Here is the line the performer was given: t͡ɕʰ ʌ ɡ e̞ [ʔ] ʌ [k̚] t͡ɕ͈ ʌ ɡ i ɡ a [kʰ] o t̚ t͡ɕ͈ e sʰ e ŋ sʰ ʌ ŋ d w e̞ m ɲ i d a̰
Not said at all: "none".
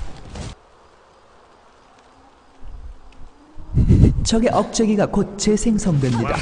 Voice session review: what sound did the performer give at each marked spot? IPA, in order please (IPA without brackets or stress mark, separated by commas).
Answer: ʔ, k̚, k